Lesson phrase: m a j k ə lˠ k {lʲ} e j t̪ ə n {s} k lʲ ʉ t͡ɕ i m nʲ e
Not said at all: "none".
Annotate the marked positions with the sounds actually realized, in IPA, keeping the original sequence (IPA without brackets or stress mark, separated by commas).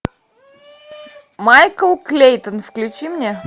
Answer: lʲ, f